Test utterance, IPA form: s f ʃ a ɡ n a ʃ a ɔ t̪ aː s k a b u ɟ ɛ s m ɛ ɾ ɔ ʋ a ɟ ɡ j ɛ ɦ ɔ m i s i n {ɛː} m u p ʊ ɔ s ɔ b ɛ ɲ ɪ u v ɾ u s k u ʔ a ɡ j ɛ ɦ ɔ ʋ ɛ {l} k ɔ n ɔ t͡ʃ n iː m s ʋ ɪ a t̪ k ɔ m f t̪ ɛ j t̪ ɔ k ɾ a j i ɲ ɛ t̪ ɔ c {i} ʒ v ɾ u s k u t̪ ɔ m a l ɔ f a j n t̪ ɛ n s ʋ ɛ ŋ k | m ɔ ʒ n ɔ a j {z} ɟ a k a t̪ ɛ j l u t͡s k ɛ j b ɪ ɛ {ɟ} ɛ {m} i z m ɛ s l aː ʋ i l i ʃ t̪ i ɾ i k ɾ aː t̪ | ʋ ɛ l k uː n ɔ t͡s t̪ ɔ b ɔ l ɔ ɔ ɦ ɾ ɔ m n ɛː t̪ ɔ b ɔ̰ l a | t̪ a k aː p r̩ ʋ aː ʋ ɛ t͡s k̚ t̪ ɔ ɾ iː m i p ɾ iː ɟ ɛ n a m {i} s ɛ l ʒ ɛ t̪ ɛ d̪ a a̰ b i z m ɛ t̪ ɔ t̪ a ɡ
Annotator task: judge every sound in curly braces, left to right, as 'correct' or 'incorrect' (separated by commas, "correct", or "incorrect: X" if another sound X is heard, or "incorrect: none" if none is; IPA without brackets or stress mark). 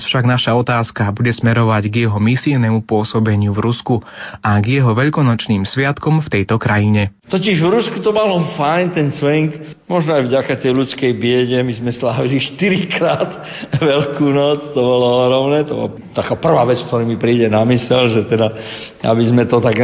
incorrect: ɛ, incorrect: ʎ, correct, incorrect: v, correct, correct, correct